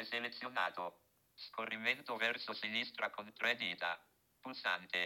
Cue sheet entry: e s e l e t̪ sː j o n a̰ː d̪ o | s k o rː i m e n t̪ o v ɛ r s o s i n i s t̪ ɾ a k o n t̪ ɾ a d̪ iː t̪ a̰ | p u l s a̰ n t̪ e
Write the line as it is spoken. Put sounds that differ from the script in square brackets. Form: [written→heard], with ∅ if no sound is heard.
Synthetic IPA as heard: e s e l e t̪ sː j o n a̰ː [d̪→t̪] o | s k o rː i m e n t̪ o v ɛ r s o s i n i s t̪ ɾ a k o n t̪ ɾ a d̪ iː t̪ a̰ | p u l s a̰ n t̪ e